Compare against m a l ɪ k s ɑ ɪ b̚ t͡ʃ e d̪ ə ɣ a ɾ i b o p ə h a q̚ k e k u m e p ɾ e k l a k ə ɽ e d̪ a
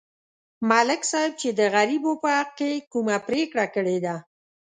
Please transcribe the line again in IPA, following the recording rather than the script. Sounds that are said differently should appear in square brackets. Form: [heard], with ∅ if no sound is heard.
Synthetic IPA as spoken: m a l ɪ k s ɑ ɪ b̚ t͡ʃ e d̪ ə ɣ a ɾ i b o p ə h a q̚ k e k u m [a] p ɾ e k [ɽ] a k ə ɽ e d̪ a